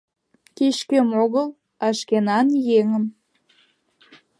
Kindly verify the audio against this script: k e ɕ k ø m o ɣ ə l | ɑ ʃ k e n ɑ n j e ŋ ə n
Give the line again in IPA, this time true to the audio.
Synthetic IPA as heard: k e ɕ k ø m o ɣ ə l | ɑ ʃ k e n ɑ n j e ŋ ə m